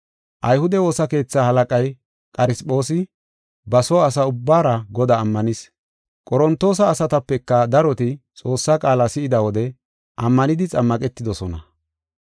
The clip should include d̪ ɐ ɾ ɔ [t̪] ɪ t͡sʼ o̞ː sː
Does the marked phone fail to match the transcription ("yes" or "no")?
no